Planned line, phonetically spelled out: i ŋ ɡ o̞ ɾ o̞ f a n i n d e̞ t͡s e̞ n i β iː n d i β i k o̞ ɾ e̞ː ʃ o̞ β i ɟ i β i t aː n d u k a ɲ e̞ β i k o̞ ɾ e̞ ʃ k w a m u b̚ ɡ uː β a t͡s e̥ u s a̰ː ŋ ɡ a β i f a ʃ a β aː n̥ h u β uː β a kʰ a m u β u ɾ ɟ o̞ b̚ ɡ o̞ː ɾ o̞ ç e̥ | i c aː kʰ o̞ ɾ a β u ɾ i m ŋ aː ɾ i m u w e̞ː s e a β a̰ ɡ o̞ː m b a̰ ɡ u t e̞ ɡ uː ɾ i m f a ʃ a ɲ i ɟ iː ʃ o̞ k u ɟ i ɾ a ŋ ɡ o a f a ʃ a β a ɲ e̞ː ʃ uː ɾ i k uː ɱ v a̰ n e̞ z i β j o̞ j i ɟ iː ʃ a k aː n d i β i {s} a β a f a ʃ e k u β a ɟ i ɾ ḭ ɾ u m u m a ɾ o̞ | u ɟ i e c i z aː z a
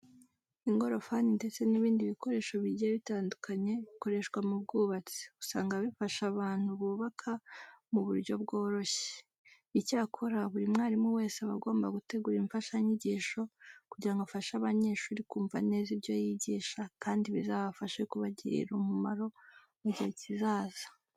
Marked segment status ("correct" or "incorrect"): incorrect